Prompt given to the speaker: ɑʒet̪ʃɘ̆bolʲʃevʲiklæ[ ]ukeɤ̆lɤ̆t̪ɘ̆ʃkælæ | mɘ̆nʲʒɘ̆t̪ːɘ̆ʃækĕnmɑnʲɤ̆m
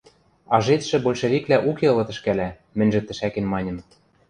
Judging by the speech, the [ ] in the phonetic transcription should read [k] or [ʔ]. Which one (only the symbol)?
ʔ